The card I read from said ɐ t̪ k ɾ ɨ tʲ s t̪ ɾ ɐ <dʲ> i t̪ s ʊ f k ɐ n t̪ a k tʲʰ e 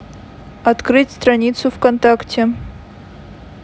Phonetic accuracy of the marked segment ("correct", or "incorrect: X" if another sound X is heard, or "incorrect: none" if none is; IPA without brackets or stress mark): incorrect: nʲ